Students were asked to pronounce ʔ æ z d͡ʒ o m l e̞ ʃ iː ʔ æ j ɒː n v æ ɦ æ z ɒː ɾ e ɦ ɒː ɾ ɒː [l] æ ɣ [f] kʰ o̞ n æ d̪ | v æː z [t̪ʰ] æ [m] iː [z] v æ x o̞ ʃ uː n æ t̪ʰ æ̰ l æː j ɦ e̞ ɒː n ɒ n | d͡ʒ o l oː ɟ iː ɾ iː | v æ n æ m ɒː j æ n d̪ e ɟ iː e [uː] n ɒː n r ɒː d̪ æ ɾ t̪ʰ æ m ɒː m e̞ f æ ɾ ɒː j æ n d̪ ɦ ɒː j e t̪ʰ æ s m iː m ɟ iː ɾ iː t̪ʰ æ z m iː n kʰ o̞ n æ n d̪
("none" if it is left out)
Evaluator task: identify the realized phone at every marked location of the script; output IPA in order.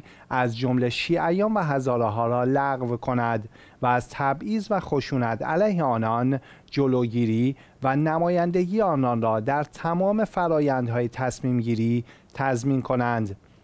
l, v, t̪ʰ, b, z, ɒː

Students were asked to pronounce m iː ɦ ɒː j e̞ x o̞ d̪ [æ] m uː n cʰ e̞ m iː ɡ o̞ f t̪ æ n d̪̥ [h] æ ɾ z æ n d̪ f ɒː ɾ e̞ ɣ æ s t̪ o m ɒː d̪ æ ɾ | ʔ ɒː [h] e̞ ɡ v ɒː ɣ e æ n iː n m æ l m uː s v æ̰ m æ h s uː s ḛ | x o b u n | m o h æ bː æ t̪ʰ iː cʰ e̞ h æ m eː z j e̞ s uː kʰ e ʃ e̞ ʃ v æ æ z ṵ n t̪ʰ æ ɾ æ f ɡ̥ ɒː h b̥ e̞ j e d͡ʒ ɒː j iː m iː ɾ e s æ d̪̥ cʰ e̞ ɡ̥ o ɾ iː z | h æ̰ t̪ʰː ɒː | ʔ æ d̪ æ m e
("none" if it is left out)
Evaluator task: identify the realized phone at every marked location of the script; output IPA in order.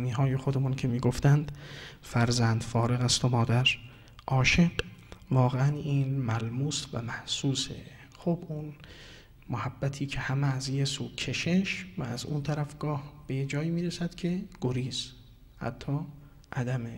e, f, ʃ

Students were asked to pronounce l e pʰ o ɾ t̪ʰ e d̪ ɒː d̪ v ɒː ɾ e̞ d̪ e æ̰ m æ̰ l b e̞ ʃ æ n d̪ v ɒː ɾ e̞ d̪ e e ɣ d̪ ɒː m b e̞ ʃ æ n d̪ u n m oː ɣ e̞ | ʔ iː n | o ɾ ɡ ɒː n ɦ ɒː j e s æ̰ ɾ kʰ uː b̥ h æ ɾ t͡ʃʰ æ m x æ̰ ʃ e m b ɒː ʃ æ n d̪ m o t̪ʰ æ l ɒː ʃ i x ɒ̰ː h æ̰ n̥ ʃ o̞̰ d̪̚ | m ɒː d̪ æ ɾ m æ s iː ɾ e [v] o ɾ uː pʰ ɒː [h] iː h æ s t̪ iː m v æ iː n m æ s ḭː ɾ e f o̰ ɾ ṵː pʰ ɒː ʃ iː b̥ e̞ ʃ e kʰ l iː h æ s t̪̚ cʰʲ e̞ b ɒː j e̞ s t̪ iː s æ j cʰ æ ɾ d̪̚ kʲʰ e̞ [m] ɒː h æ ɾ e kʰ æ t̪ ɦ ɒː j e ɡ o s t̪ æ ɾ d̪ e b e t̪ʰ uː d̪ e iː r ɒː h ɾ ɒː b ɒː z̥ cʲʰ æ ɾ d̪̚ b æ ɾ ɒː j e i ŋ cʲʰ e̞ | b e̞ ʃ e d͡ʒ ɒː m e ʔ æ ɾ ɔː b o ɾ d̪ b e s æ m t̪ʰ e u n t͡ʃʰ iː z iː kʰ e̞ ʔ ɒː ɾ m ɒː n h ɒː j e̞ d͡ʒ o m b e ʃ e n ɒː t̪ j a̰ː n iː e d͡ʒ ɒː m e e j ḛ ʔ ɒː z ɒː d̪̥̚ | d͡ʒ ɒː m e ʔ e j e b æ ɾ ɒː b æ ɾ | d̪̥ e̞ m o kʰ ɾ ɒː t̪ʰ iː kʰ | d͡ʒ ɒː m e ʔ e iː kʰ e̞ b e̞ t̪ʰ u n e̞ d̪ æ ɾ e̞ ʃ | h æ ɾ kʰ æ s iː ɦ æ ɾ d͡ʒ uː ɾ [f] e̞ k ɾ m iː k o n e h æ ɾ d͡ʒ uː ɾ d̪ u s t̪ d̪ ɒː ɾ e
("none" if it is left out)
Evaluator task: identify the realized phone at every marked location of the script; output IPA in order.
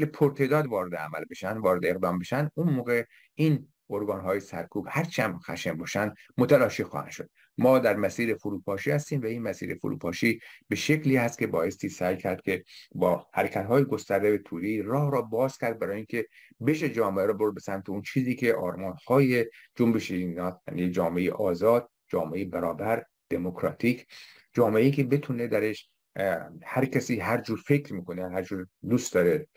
f, ʃ, b, f

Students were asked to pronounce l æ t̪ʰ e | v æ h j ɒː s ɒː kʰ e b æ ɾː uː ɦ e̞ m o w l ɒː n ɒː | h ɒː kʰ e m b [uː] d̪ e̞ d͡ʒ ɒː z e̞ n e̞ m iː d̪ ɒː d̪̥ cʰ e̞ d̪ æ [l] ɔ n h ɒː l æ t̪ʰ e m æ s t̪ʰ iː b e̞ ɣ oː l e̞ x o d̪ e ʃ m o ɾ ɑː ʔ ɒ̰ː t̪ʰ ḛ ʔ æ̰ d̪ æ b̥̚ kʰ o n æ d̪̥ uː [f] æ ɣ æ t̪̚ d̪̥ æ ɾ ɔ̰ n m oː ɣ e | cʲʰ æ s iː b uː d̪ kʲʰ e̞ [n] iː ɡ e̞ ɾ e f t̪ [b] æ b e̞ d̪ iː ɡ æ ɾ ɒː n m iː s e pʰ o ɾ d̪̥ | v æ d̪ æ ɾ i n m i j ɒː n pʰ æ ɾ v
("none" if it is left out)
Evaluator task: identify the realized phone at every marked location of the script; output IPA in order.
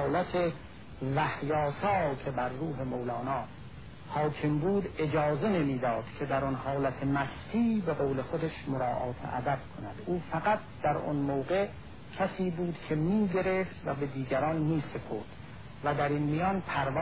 uː, ɾ, f, m, v

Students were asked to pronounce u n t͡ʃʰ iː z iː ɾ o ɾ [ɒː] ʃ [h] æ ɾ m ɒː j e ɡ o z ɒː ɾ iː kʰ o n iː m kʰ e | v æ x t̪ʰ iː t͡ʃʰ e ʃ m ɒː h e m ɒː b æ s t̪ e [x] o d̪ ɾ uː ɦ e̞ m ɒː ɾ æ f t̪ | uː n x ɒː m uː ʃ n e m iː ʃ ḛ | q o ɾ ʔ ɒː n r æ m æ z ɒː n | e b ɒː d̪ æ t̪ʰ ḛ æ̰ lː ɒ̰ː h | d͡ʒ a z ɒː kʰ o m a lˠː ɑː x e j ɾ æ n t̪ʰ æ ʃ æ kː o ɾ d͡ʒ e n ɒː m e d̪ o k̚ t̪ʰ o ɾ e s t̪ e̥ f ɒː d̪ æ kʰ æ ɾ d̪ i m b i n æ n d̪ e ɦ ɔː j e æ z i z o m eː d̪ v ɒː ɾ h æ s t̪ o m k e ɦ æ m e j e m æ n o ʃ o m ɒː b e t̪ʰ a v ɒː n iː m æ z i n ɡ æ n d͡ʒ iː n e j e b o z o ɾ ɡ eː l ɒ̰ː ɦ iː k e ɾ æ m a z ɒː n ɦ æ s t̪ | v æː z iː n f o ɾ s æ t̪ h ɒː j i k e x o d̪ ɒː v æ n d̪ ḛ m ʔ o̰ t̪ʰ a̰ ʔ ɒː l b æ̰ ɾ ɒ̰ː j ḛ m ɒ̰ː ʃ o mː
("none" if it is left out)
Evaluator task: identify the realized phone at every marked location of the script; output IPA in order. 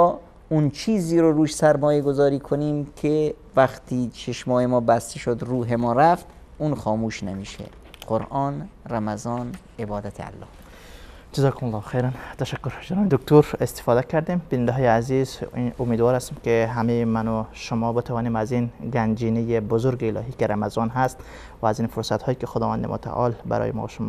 uː, s, ʃ

